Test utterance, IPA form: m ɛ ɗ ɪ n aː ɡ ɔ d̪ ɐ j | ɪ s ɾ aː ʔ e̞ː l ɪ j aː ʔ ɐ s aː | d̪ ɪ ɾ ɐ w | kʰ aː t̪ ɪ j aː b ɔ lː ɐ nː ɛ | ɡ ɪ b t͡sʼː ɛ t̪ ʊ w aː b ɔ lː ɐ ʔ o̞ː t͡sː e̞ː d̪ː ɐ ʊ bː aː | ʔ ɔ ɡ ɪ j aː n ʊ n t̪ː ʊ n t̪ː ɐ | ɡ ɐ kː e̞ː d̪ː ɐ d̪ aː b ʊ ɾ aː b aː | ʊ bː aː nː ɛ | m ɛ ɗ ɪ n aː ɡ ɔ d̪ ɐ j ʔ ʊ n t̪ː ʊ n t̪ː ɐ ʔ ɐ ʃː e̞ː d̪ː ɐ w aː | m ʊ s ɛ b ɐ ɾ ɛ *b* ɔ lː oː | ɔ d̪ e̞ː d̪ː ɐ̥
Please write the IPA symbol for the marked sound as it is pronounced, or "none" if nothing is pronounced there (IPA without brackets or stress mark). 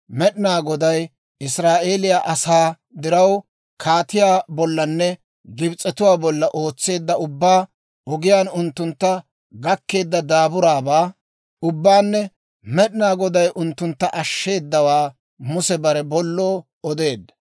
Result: b